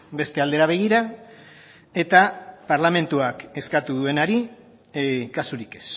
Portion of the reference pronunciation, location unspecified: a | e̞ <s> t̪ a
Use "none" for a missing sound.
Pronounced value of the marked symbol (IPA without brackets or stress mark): none